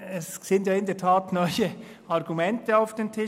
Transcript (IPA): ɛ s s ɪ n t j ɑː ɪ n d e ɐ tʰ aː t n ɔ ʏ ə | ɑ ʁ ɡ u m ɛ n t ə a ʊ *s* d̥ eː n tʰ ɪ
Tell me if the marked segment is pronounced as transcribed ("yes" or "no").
no